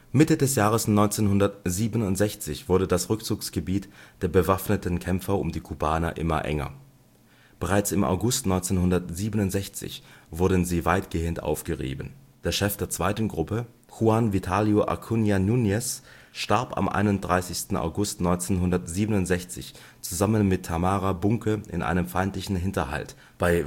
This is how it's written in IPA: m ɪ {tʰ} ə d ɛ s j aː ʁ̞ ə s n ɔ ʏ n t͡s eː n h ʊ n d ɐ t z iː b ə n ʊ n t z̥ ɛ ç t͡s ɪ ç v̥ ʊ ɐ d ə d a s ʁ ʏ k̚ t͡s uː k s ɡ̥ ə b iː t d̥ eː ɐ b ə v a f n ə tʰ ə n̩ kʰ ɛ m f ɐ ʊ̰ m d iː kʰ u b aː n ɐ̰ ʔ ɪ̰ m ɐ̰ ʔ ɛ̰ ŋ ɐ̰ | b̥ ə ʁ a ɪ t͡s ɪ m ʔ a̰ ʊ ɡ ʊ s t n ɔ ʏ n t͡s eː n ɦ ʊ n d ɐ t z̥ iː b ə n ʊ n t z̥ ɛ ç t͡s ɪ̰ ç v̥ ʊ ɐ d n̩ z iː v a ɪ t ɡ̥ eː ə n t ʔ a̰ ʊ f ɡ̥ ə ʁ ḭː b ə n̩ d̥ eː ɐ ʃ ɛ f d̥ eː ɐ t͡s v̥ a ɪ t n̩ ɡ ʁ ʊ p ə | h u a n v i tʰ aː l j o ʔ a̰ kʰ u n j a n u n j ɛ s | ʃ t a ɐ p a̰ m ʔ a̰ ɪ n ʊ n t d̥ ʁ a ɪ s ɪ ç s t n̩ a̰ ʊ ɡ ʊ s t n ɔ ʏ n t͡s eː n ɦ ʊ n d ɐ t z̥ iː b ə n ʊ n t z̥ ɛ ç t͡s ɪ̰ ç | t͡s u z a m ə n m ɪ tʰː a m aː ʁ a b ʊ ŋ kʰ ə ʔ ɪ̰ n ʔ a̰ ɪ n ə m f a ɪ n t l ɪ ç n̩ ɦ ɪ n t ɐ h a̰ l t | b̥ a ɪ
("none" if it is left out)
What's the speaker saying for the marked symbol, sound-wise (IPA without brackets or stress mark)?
t